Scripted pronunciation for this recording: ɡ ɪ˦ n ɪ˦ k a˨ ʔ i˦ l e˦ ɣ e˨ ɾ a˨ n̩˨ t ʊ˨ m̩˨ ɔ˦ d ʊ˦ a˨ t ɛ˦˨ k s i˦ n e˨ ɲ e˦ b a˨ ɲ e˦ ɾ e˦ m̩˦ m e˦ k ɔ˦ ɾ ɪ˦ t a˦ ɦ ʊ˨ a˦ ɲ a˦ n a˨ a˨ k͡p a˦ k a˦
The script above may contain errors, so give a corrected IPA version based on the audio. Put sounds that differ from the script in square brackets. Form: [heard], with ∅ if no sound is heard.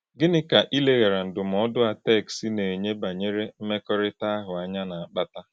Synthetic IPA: ɡ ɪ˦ n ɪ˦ k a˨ ʔ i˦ l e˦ ɣ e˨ ɾ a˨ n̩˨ [d] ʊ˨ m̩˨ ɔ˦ d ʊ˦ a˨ t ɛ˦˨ k s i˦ n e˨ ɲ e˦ b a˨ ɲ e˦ ɾ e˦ m̩˦ m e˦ k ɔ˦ ɾ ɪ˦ t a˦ ɦ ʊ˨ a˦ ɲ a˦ n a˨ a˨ k͡p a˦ [t] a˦